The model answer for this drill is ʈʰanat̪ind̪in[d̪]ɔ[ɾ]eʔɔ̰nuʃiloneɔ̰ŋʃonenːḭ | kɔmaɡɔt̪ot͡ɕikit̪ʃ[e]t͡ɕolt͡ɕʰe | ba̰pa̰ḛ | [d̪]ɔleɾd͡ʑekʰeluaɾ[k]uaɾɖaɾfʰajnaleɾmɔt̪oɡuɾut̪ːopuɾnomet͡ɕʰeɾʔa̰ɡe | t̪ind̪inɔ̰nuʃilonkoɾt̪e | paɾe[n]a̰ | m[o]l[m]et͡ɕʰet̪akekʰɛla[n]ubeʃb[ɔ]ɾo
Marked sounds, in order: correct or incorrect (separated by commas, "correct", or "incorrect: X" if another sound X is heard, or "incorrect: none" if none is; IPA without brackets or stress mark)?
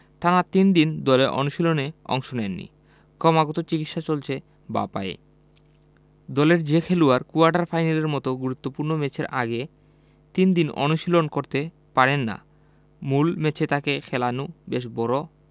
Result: correct, incorrect: l, incorrect: a, correct, correct, incorrect: nː, incorrect: u, correct, correct, correct